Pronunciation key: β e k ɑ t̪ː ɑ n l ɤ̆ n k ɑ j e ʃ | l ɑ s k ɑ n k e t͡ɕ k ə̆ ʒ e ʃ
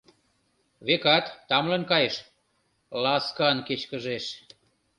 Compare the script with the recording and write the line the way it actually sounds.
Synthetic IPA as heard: β e k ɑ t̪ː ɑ m l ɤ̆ n k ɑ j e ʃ | l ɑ s k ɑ n k e t͡ɕ k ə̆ ʒ e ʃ